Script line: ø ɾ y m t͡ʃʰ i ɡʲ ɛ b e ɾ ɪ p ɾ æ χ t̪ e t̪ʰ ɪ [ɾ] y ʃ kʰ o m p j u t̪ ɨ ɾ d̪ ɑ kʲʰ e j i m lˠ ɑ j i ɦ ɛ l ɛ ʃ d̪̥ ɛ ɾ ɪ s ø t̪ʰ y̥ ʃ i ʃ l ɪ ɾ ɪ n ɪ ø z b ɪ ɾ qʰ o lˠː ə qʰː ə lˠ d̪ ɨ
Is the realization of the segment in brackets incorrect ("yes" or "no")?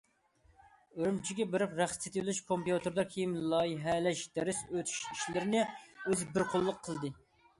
yes